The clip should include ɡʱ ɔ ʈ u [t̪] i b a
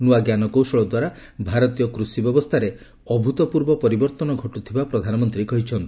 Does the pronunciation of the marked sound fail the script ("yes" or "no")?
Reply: yes